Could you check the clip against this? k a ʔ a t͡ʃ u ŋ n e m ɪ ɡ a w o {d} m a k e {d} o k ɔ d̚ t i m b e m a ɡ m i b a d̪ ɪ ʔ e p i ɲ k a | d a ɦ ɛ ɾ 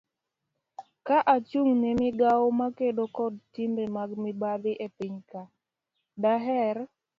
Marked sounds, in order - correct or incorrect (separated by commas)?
incorrect, correct